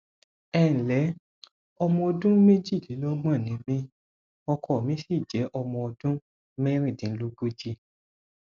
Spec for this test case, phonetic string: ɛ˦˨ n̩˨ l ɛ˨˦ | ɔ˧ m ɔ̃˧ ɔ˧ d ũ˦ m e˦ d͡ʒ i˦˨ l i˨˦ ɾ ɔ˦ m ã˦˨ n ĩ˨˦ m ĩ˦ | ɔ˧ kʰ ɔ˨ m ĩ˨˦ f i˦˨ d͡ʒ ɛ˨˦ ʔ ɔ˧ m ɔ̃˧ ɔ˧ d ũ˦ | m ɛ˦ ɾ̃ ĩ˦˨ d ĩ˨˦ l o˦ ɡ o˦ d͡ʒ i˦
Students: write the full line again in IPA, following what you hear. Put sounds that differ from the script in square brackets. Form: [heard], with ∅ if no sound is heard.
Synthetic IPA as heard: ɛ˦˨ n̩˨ l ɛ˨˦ | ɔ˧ m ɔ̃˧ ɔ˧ d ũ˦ m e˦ d͡ʒ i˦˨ l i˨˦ [l] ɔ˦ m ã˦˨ n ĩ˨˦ m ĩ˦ | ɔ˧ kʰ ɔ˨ m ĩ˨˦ [s] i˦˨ d͡ʒ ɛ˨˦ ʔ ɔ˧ m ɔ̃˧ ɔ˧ d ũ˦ | m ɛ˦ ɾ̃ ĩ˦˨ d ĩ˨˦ l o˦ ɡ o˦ d͡ʒ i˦